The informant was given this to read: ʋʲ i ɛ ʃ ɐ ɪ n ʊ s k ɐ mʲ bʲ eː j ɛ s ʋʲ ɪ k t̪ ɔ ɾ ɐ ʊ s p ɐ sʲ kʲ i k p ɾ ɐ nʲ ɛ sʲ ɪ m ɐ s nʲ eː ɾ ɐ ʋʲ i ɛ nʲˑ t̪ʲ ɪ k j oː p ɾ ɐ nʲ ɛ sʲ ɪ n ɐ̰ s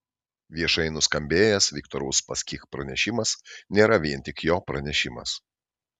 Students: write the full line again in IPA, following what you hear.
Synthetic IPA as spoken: ʋʲ i ɛ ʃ ɐ ɪ n ʊ s k ɐ mʲ bʲ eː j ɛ s ʋʲ ɪ k t̪ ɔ ɾ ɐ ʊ s p ɐ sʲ kʲ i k p ɾ ɐ nʲ ɛ ʃʲ ɪ m ɐ s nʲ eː ɾ ɐ ʋʲ i ɛ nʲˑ t̪ʲ ɪ k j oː p ɾ ɐ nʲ ɛ ʃʲ ɪ m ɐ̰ s